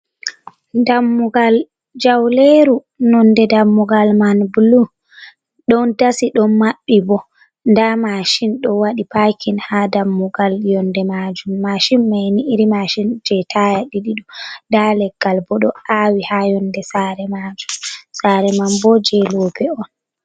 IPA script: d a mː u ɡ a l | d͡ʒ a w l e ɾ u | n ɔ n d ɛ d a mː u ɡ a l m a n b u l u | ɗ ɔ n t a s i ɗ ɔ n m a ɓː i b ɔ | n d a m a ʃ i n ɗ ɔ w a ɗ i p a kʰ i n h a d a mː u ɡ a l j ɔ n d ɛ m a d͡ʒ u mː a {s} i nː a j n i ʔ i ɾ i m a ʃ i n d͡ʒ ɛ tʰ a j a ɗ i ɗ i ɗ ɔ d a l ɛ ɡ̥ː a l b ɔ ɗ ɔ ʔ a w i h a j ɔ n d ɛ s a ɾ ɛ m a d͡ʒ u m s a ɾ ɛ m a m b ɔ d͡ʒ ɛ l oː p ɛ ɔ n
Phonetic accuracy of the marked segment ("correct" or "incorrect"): incorrect